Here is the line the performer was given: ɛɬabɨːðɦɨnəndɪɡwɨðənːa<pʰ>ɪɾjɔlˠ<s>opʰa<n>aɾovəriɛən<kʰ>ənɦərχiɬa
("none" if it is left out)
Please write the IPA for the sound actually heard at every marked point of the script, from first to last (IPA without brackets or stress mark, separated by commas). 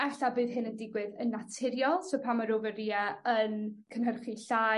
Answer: tʰ, s, m, kʰ